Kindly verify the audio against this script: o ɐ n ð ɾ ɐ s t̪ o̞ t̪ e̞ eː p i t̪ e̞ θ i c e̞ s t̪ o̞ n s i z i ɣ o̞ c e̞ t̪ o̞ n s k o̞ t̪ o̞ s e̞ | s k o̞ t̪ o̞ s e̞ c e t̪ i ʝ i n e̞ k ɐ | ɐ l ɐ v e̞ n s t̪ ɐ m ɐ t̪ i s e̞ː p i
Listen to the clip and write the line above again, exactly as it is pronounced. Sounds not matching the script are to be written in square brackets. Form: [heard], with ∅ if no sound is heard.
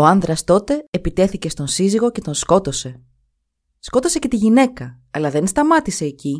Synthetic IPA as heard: o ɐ n ð ɾ ɐ s t̪ o̞ t̪ e̞ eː p i t̪ e̞ θ i c e̞ s t̪ o̞ n s i z i ɣ o̞ c e̞ t̪ o̞ n s k o̞ t̪ o̞ s e̞ | s k o̞ t̪ o̞ s e̞ c e t̪ i ʝ i n e̞ k ɐ | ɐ l ɐ [ð] e̞ n s t̪ ɐ m ɐ t̪ i s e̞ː [c] i